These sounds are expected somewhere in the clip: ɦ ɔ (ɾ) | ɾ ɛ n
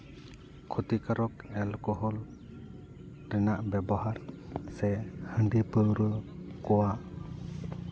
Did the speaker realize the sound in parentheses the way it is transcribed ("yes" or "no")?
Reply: no